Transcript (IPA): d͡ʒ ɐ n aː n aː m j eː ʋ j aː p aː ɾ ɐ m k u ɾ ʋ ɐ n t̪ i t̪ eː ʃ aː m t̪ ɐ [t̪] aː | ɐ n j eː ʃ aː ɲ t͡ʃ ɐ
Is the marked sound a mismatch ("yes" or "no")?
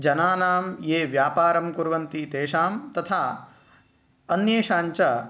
yes